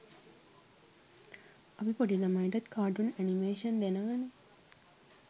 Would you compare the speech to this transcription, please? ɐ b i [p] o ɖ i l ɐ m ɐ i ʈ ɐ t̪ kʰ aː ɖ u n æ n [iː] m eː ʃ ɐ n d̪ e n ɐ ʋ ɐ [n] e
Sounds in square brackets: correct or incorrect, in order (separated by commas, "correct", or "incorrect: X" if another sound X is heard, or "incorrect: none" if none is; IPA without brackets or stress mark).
correct, incorrect: i, correct